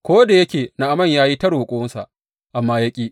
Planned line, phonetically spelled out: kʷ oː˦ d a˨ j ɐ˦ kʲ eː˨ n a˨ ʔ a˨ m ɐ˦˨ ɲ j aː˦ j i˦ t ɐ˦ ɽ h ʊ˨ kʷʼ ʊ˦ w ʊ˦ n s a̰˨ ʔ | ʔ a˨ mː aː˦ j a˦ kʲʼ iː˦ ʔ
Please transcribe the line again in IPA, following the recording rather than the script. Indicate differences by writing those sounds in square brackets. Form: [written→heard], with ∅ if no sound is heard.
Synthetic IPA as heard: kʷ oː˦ d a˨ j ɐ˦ kʲ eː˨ n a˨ ʔ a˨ m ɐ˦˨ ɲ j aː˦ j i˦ t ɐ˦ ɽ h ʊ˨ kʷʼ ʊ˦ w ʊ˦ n s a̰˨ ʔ | ʔ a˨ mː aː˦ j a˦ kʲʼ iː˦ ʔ